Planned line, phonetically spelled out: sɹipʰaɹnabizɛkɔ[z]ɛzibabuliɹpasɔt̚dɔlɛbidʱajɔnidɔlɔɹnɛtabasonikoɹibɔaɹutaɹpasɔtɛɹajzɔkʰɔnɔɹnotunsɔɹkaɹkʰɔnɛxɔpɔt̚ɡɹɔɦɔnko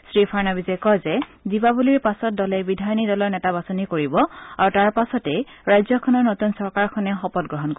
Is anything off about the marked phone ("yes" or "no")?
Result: no